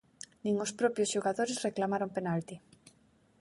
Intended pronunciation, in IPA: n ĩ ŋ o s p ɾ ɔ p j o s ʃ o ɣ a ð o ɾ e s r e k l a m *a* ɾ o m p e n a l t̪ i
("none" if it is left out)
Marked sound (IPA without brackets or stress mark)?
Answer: a